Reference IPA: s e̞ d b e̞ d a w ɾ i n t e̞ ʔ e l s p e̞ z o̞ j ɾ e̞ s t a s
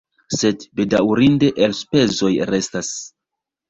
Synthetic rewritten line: s e̞ d b e̞ d a w ɾ i n d e̞ ʔ e l s p e̞ z o̞ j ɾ e̞ s t a s